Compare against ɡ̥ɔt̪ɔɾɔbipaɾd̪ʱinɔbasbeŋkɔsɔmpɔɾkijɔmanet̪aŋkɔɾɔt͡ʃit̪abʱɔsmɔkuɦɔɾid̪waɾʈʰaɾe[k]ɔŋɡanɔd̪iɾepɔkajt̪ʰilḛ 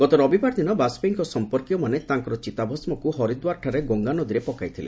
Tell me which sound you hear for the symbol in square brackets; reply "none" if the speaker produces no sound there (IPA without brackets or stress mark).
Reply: ɡ